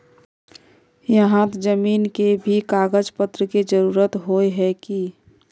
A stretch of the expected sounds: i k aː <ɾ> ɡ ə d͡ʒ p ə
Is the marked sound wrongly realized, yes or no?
yes